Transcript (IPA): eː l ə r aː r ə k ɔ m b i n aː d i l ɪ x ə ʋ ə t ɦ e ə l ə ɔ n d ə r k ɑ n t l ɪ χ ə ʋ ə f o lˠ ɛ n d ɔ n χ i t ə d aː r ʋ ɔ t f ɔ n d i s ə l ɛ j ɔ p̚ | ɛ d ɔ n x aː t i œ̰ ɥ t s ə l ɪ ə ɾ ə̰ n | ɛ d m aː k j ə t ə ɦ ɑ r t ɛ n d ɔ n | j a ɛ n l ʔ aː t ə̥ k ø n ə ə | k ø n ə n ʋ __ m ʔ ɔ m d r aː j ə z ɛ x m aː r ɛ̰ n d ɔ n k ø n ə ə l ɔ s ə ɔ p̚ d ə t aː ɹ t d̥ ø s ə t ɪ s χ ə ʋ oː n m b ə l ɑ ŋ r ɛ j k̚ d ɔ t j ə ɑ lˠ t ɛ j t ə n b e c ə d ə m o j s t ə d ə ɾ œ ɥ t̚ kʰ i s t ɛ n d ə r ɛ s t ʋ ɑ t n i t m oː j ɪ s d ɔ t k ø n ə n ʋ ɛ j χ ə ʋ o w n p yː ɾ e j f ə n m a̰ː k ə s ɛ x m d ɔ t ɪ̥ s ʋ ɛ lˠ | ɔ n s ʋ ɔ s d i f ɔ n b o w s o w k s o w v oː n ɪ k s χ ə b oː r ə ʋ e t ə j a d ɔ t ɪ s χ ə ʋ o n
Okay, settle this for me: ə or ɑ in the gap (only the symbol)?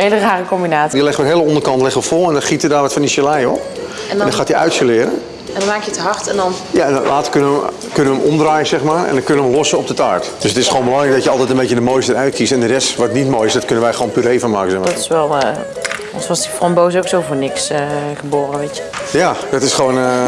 ə